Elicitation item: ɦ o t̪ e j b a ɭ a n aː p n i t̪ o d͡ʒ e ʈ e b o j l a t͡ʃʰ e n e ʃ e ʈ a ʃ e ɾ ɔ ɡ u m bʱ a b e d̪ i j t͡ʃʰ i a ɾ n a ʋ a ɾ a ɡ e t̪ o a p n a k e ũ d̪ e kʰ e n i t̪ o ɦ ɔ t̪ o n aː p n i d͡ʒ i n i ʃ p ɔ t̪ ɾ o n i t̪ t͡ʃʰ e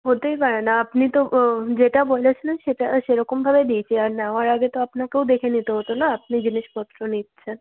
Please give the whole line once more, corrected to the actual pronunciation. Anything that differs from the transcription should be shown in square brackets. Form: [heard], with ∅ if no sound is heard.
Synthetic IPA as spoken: ɦ o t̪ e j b a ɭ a n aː p n i t̪ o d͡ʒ e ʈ [a] b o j l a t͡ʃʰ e n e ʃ e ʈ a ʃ e ɾ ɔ [k] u m bʱ a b e d̪ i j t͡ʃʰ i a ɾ n a ʋ a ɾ a ɡ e t̪ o a p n a k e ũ d̪ e kʰ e n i t̪ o ɦ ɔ t̪ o n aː p n i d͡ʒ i n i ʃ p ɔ t̪ ɾ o n i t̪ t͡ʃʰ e